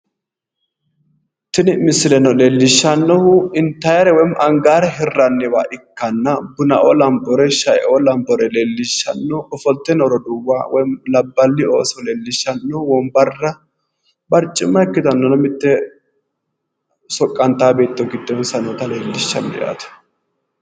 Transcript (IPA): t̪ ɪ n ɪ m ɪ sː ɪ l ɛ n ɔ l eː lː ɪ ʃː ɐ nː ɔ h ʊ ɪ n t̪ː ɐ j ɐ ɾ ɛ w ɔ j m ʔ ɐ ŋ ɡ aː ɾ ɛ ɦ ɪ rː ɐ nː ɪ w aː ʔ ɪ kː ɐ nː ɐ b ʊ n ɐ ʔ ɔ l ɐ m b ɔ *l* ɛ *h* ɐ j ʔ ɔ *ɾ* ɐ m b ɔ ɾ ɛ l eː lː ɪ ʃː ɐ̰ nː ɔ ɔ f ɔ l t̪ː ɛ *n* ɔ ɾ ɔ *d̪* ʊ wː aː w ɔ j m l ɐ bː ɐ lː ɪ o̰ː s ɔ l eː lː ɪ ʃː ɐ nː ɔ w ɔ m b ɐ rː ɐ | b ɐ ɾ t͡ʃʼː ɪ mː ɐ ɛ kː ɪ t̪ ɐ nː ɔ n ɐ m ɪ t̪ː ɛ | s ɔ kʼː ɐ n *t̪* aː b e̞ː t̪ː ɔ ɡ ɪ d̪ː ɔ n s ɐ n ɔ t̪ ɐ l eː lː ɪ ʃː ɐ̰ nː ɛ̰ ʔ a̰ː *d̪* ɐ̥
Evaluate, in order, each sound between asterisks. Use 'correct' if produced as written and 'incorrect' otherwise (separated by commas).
incorrect, incorrect, incorrect, correct, correct, correct, incorrect